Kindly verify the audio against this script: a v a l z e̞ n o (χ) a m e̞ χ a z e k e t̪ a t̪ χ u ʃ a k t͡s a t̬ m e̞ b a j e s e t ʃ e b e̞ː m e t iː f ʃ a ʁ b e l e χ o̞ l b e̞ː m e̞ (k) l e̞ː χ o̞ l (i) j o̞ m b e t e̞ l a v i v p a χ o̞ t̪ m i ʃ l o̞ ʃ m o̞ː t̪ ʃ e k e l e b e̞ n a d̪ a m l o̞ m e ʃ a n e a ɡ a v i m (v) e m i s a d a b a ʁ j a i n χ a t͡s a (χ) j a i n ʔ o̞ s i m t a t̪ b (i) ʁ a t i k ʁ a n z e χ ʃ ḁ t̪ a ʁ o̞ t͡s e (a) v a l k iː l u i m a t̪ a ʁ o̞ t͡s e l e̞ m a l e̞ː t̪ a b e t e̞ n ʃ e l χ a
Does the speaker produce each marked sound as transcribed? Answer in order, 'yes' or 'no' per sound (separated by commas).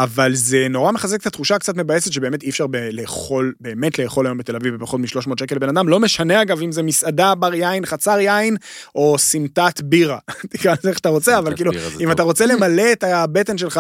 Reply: no, no, no, no, no, yes, yes